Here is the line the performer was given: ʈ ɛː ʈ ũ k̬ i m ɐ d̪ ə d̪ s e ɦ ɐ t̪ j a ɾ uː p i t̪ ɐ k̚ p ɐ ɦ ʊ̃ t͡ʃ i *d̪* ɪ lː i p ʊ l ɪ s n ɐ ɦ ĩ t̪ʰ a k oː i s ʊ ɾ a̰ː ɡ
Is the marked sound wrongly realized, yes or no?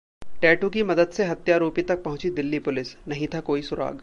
no